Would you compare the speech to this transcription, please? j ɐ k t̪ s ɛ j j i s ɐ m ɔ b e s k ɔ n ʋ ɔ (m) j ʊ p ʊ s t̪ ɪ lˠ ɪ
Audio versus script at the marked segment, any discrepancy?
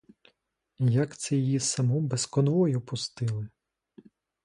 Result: yes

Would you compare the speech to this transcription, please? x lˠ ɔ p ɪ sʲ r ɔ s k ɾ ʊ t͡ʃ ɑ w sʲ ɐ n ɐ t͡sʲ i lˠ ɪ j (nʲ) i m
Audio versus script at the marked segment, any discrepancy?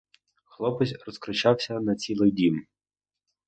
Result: yes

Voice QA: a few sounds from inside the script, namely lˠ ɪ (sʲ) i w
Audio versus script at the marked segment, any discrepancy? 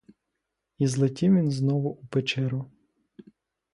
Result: yes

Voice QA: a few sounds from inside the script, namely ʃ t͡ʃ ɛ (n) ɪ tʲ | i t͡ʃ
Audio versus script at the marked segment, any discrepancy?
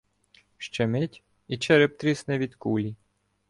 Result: yes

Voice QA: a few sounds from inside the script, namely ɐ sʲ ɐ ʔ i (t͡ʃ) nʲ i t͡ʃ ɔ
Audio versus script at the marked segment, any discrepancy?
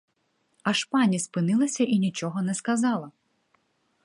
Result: yes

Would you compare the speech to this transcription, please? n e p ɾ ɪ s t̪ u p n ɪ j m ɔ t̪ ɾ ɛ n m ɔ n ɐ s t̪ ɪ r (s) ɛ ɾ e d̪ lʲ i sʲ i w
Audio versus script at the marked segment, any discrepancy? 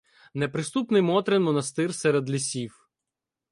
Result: no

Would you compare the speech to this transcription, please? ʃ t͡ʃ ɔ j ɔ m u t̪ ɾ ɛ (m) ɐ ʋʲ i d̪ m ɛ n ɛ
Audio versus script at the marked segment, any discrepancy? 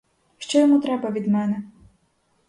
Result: yes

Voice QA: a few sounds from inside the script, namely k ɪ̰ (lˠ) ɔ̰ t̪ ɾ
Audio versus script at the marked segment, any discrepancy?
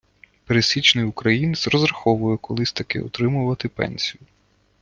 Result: yes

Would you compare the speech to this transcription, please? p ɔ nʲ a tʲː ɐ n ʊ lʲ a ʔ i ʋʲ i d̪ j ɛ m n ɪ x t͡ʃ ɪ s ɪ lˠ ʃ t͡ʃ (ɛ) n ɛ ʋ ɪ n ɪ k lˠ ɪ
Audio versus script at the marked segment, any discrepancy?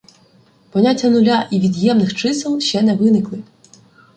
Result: no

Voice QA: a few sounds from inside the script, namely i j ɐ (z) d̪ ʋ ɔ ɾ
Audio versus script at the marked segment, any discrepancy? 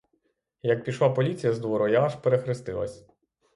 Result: no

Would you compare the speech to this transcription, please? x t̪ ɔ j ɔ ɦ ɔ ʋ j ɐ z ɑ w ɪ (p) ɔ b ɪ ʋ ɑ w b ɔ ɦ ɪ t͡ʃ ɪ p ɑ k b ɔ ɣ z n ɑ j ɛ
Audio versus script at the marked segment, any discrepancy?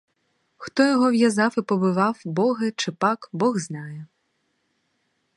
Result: no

